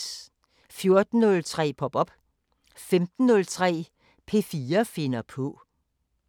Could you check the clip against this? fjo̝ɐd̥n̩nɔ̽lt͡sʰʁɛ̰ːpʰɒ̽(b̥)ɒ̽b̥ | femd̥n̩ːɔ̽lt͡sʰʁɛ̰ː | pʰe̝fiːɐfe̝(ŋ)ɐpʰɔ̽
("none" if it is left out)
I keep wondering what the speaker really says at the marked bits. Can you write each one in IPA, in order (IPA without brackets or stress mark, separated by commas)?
b̥, n